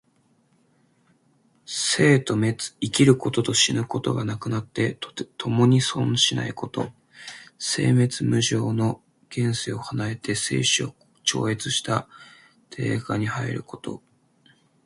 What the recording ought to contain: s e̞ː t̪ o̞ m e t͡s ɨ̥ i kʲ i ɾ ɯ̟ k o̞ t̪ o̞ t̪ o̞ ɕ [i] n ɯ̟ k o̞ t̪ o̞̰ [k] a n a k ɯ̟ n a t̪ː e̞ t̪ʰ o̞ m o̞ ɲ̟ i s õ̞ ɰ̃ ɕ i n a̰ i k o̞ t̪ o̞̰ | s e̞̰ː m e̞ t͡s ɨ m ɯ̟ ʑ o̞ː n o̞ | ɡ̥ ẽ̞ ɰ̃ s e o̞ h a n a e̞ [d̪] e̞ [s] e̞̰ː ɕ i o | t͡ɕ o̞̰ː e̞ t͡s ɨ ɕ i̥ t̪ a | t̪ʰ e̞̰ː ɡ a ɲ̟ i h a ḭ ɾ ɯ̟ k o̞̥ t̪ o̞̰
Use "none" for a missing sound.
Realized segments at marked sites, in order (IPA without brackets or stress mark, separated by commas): i, ɡ, t̪, s